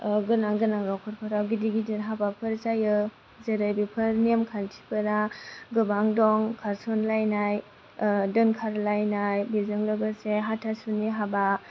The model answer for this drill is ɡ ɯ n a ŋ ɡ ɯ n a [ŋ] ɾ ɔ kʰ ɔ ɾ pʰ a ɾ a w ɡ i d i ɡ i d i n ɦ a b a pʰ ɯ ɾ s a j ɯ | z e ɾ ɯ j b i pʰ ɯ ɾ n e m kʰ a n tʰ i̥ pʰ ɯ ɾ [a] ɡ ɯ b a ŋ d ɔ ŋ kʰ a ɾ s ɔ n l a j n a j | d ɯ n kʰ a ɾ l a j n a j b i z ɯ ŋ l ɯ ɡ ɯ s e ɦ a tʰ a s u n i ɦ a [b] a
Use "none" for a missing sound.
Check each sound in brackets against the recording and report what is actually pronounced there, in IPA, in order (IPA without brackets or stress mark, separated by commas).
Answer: ŋ, a, b